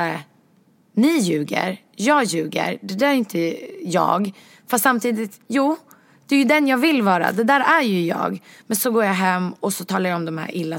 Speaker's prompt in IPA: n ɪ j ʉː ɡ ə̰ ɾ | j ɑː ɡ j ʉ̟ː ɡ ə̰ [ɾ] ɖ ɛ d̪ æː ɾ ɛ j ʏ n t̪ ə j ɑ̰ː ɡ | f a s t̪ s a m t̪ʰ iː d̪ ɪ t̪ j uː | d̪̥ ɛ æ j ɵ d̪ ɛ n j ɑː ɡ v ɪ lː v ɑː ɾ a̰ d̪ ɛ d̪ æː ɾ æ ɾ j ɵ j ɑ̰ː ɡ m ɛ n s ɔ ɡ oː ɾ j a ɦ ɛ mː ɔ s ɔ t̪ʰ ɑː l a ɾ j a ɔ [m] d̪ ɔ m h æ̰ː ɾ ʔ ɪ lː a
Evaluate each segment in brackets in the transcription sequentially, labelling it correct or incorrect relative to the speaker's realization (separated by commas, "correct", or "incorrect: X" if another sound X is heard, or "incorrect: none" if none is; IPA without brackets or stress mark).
correct, correct